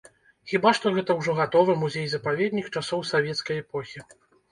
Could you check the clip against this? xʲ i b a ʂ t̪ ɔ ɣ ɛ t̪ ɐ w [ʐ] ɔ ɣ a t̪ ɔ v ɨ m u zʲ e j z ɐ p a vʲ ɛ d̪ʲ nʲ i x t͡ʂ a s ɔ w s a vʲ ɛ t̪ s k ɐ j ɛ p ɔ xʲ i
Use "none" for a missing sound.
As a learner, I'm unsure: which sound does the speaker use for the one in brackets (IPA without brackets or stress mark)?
ʐ